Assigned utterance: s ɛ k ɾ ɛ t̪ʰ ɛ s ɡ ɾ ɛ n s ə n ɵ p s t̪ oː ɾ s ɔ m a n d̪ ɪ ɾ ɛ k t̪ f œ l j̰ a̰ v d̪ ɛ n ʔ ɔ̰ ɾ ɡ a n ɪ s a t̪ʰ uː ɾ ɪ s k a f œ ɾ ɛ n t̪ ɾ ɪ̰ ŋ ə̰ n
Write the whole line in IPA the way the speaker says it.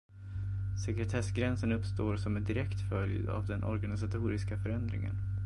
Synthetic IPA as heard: s ɛ k ɾ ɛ t̪ʰ ɛ s ɡ ɾ ɛ n s ə n ɵ p s t̪ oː ɾ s ɔ m ɛ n d̪ ɪ ɾ ɛ k t̪ f œ l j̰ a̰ v d̪ ɛ n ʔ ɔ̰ ɾ ɡ a n ɪ s a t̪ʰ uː ɾ ɪ s k a f œ ɾ ɛ n d̪ ɾ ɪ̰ ŋ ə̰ n